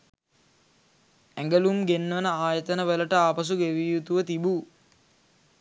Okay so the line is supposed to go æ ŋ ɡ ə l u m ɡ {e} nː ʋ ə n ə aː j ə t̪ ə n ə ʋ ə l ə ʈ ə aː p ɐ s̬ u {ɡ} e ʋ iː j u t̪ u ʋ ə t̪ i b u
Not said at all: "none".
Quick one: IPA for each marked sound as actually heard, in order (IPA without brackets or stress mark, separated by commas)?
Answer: e, ɡ